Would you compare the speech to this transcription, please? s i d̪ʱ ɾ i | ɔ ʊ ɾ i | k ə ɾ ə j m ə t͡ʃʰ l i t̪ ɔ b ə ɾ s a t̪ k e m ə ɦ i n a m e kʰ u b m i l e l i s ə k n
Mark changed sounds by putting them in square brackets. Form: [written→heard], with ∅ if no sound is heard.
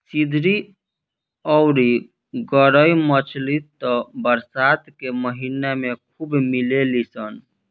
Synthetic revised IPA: s i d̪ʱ ɾ i | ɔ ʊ ɾ i | [k→ɡ] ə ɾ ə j m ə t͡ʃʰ l i t̪ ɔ b ə ɾ s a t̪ k e m ə ɦ i n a m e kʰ u b m i l e l i s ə [k→∅] n